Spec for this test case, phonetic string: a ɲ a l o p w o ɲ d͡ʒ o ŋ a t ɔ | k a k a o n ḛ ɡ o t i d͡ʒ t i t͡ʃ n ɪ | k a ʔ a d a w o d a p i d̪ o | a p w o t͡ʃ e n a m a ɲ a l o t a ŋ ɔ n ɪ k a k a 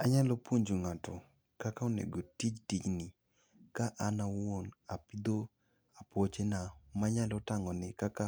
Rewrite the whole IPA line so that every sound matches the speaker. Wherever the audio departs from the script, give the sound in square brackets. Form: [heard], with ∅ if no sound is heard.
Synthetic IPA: a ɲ a l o p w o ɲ d͡ʒ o ŋ a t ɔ | k a k a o n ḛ ɡ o t i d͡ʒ t i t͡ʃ n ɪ | k a ʔ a [n] a w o [n] a p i d̪ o | a p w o t͡ʃ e n a m a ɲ a l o t a ŋ ɔ n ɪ k a k a